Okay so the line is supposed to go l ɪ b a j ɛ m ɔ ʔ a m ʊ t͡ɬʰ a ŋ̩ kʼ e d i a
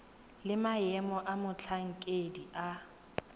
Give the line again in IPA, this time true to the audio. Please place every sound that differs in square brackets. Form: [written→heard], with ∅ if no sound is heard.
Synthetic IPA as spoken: l ɪ [b→m] a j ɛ m ɔ ʔ a m ʊ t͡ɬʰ a ŋ̩ kʼ e d i a